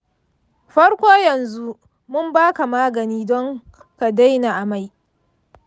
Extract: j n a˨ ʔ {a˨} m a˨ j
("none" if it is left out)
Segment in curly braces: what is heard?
a˨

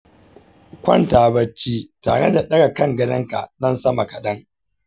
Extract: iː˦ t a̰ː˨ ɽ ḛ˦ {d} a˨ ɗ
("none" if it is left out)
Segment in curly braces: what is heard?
d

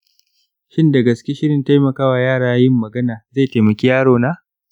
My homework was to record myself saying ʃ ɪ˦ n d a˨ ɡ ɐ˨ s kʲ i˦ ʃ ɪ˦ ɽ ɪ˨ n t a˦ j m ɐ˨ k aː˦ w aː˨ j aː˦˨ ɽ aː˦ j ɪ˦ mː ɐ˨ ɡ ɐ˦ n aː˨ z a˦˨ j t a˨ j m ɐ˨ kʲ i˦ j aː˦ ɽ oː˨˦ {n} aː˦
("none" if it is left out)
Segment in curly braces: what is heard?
n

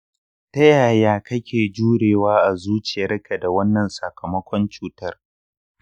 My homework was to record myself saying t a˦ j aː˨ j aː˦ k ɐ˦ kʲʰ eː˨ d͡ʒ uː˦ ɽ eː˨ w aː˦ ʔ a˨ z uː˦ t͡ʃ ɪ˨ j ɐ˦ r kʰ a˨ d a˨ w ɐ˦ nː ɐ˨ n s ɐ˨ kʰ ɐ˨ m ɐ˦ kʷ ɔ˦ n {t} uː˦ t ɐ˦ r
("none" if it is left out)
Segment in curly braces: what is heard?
t͡ʃ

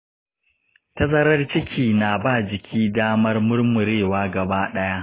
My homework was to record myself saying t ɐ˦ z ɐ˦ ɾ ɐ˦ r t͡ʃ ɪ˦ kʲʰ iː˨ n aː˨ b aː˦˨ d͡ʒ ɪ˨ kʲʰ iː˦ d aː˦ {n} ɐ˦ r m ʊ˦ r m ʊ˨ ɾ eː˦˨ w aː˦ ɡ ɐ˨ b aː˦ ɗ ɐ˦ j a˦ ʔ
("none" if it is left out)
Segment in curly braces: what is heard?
m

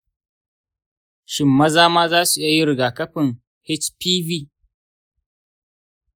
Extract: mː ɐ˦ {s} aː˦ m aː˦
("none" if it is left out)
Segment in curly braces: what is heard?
z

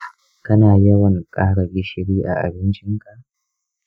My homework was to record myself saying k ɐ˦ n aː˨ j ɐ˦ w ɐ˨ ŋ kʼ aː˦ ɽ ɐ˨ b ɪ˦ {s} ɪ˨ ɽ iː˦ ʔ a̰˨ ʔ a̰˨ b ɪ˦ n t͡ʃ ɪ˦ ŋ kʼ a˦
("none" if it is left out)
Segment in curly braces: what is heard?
ʃ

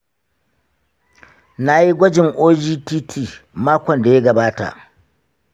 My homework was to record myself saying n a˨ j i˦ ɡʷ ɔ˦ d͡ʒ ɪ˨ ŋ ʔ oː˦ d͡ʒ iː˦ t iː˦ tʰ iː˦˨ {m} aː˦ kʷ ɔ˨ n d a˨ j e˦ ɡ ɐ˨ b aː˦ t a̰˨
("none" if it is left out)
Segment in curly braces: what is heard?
m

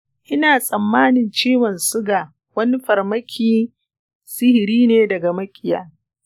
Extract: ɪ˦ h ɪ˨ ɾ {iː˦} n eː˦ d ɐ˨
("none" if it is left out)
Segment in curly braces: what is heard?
iː˦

